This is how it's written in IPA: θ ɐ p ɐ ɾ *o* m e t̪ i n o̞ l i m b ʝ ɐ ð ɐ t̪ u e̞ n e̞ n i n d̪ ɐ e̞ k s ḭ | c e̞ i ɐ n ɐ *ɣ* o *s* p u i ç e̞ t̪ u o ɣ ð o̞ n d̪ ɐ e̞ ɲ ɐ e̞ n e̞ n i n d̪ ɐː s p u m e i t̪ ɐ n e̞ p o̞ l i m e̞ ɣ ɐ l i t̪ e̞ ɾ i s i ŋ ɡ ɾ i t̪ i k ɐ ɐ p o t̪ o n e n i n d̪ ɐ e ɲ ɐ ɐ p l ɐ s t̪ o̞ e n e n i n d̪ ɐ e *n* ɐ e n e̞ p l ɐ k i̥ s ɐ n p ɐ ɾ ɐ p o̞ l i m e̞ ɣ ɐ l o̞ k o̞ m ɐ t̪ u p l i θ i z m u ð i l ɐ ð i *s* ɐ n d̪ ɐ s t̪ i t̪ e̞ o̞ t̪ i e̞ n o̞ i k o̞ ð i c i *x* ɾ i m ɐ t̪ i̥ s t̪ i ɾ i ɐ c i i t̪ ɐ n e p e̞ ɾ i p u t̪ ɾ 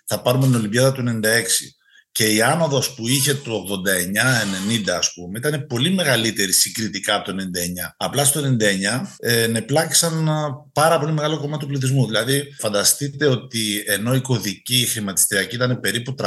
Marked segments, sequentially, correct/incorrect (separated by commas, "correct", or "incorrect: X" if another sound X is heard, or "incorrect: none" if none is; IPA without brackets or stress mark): incorrect: u, incorrect: ð, correct, incorrect: ɲ, incorrect: f, correct